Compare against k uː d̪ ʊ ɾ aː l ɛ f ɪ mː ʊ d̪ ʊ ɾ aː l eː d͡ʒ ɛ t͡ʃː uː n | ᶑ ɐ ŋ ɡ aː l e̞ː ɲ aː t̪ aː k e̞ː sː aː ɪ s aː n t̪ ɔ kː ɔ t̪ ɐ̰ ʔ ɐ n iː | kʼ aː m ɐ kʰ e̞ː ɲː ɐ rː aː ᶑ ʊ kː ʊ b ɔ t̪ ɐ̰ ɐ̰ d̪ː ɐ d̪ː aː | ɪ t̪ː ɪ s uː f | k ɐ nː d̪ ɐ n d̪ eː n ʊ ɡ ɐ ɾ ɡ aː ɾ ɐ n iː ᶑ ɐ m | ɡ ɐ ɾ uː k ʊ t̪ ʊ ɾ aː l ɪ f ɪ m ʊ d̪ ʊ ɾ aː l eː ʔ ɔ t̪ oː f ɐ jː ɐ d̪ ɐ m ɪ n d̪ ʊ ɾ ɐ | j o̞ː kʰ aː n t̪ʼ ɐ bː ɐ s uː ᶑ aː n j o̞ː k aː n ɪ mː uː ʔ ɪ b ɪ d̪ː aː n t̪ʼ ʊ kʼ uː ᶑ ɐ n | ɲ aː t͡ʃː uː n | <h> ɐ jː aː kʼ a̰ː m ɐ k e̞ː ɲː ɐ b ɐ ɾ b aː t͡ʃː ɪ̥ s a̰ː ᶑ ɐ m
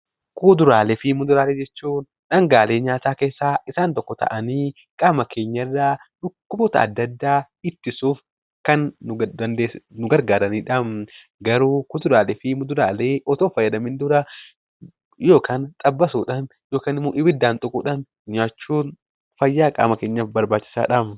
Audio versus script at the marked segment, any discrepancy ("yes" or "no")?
yes